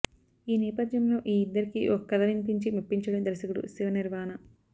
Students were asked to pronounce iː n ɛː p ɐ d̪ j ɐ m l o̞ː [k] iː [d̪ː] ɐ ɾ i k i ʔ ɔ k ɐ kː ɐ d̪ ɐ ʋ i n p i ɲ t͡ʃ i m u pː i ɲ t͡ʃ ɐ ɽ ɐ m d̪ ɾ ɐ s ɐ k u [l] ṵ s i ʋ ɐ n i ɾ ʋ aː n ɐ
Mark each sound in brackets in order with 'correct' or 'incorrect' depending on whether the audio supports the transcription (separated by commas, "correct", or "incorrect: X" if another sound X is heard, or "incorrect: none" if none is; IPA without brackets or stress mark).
incorrect: ʔ, correct, incorrect: ɽ